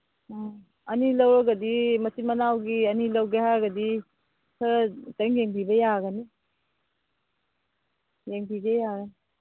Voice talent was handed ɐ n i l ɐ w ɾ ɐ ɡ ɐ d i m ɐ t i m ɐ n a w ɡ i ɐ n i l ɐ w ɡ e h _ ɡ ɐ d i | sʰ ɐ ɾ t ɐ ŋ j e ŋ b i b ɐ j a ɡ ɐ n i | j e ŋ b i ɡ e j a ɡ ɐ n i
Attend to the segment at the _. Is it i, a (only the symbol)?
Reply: a